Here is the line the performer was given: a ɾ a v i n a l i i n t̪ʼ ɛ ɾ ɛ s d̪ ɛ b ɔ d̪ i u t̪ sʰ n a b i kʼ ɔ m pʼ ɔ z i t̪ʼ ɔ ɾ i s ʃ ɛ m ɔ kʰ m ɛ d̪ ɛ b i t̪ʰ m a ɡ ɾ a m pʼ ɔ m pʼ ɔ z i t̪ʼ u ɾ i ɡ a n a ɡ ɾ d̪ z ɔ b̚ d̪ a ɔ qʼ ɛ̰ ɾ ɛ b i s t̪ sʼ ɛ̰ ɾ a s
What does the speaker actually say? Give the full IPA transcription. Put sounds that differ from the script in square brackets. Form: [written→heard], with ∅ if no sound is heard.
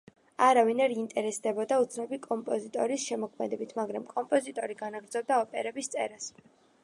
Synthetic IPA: a ɾ a v i n a [l→ɾ] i i n t̪ʼ ɛ ɾ ɛ s d̪ ɛ b ɔ d̪ [i→a] u t̪ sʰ n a b i kʼ ɔ m pʼ ɔ z i t̪ʼ ɔ ɾ i s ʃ ɛ m ɔ kʰ m ɛ d̪ ɛ b i t̪ʰ m a ɡ ɾ a m [pʼ→kʼ] ɔ m pʼ ɔ z i t̪ʼ [u→ɔ] ɾ i ɡ a n a ɡ ɾ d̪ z ɔ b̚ d̪ a ɔ [qʼ→pʼ] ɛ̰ ɾ ɛ b i s t̪ sʼ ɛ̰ ɾ a s